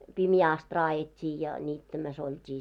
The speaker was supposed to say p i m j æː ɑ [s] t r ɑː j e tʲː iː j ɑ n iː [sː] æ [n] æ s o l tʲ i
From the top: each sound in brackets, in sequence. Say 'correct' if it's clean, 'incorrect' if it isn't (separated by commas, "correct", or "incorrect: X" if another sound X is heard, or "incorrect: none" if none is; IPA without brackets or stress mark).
correct, incorrect: tː, incorrect: m